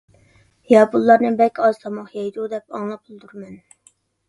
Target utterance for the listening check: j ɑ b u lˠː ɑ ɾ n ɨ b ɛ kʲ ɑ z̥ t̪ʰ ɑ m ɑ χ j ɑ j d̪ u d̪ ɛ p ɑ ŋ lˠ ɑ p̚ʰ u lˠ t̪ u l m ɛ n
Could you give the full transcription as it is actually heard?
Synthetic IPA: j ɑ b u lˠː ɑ ɾ n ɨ b ɛ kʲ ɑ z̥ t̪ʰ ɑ m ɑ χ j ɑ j d̪ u d̪ ɛ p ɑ ŋ lˠ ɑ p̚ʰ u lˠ d̪ u ɾ m ɛ n